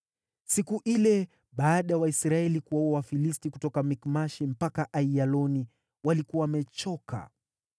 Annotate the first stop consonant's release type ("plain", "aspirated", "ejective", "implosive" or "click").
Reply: plain